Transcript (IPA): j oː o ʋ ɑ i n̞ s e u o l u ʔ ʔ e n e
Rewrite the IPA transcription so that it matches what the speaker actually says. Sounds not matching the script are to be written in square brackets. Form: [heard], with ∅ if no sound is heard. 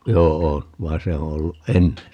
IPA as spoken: j oː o ʋ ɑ i n̞ s e [o] o [lː] u ʔ ʔ e [nː] e